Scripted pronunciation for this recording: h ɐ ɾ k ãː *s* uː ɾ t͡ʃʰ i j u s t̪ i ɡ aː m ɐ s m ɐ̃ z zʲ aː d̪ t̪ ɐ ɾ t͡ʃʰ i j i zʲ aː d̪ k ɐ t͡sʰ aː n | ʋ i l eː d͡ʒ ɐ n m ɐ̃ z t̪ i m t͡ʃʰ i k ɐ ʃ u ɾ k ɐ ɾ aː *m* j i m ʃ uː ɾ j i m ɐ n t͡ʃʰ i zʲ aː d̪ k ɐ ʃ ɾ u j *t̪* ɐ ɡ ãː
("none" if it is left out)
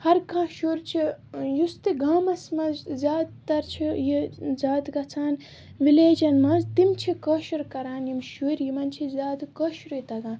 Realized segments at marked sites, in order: ʃ, n, t̪

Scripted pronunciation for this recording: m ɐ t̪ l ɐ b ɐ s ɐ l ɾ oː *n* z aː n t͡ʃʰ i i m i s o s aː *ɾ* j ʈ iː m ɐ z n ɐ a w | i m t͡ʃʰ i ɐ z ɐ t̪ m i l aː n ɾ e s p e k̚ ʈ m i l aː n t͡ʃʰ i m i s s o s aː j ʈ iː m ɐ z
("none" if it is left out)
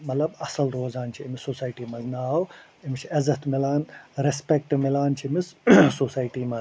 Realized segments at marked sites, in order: none, none

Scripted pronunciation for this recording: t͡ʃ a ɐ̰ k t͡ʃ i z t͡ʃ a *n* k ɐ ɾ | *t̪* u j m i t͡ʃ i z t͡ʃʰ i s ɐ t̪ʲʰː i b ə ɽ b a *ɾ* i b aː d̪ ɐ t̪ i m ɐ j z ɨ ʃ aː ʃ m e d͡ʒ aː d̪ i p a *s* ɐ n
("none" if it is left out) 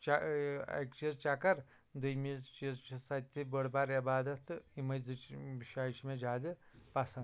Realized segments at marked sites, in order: none, d̪, ɾ, s

